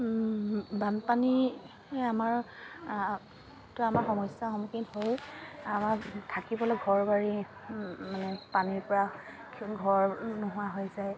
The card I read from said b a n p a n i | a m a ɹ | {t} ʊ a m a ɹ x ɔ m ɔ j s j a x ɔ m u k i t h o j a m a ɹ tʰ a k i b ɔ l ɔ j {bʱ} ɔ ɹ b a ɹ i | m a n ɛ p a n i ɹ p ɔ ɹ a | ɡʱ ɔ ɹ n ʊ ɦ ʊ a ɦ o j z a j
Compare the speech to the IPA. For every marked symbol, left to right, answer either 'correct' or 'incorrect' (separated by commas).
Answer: correct, incorrect